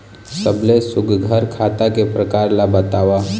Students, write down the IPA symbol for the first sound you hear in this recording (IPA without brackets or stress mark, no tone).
s